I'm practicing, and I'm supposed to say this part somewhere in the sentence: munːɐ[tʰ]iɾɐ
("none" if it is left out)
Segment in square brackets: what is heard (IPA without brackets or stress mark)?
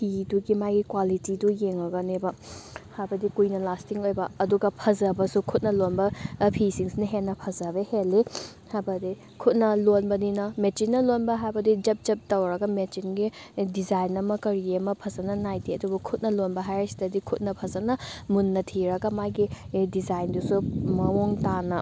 tʰ